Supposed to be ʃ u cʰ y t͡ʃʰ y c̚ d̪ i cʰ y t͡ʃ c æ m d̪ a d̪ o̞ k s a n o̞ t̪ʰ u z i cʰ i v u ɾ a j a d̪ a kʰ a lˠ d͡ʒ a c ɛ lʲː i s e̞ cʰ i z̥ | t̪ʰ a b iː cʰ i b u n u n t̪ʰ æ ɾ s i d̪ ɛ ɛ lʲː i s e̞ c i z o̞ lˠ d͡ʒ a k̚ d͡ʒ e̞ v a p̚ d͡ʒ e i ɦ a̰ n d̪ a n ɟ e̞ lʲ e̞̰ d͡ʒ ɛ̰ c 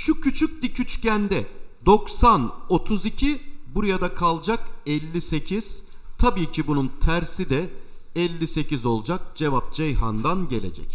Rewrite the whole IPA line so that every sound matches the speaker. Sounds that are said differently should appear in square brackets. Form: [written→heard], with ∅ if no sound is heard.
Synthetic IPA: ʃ u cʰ y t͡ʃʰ y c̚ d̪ i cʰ y t͡ʃ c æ [m→n] d̪ [a→ɛ] d̪ o̞ k s a n o̞ t̪ʰ u z i cʰ i [v→b] u ɾ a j a d̪ a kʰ a lˠ d͡ʒ a [c→k] ɛ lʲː i s e̞ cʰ i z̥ | t̪ʰ a b iː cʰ i b u n u n t̪ʰ æ ɾ s i d̪ ɛ ɛ lʲː i s e̞ c i z o̞ lˠ d͡ʒ a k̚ d͡ʒ e̞ v a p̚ d͡ʒ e [i→j] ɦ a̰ n d̪ a n ɟ e̞ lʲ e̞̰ d͡ʒ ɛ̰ c